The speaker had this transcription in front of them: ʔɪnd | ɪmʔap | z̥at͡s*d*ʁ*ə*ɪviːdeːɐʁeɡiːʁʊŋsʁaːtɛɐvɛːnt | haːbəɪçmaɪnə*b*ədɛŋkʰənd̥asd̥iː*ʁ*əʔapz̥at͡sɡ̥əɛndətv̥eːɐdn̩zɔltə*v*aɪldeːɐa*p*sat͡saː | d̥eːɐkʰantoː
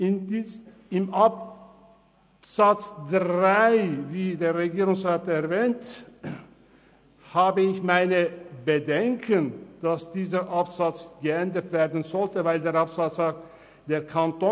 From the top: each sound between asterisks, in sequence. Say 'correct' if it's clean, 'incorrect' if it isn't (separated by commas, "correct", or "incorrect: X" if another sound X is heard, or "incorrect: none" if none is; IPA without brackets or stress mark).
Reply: correct, incorrect: a, correct, incorrect: z, correct, correct